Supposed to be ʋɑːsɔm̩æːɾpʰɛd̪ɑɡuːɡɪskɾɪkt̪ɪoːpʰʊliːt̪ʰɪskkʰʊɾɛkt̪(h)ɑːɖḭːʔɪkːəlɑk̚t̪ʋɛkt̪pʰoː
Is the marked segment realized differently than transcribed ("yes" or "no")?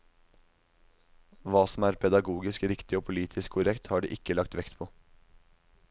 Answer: no